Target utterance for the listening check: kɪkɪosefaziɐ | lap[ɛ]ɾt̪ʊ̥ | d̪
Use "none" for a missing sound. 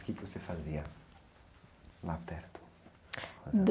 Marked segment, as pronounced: ɛ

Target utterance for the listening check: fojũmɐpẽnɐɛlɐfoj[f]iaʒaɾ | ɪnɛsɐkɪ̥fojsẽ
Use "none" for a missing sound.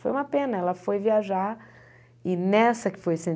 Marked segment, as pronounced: v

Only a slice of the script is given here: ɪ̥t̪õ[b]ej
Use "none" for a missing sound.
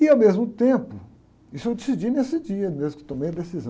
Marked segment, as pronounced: m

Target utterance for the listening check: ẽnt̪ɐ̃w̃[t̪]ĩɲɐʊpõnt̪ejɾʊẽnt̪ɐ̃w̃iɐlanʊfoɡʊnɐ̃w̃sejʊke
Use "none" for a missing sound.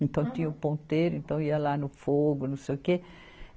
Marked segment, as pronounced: t̪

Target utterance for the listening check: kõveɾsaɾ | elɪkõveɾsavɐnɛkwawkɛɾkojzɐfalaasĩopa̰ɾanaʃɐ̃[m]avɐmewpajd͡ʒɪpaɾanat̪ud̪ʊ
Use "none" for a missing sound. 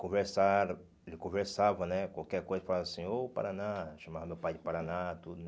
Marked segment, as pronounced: m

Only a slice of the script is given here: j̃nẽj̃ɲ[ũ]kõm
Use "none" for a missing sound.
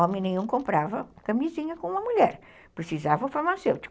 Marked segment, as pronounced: ũ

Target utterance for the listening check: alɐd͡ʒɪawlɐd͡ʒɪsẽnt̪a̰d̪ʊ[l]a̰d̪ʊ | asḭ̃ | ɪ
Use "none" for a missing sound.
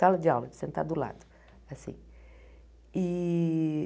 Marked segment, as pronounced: l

